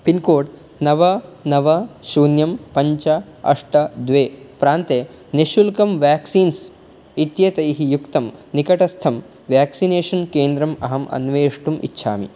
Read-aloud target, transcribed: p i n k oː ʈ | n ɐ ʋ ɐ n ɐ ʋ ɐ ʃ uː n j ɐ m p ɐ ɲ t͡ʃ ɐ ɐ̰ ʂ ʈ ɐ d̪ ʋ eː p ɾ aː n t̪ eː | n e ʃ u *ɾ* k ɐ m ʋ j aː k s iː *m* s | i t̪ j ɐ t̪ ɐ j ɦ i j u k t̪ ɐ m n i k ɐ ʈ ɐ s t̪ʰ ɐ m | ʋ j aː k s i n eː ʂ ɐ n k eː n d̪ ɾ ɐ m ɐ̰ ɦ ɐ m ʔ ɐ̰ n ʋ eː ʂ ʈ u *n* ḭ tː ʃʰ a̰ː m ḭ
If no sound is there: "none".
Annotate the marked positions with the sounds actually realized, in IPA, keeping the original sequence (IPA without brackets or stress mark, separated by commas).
l, n, m